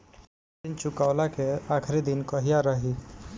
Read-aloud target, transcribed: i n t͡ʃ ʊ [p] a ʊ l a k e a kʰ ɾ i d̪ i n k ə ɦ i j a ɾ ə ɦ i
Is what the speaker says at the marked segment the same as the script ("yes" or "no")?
no